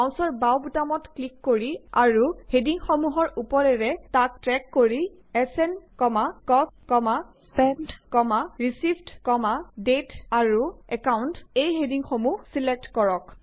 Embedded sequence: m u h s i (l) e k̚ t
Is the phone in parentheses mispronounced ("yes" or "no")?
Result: no